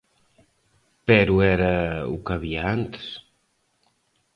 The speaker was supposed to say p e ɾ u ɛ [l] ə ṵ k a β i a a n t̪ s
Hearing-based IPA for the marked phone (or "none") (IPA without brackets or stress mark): ɾ